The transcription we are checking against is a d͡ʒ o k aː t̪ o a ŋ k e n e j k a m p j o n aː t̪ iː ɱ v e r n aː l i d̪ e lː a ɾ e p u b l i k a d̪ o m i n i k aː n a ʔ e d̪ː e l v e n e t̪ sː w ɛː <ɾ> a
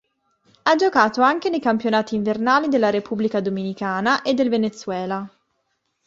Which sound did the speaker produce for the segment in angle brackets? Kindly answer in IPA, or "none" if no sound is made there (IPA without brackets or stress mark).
l